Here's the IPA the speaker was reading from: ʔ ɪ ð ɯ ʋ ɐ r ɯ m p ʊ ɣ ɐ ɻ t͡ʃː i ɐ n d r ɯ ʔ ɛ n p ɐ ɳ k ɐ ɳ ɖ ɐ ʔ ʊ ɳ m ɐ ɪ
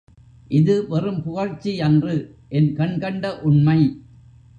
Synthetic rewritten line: ʔ ɪ ð ɯ ʋ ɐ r ɯ m p ʊ ɣ ɐ ɻ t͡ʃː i ɐ n d r ɯ ʔ ɛ n k ɐ ɳ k ɐ ɳ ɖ ɐ ʔ ʊ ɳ m ɐ ɪ